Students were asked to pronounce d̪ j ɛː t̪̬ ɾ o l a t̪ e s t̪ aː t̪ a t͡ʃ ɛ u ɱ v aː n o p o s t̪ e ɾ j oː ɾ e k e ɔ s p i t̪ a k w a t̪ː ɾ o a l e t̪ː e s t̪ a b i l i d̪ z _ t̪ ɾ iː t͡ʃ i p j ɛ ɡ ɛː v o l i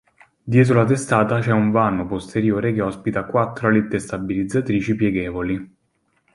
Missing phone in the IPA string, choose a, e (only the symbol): a